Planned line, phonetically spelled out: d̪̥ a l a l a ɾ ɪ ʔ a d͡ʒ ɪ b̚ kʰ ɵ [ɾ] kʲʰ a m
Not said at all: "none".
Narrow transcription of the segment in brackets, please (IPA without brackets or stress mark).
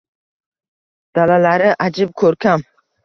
ɾ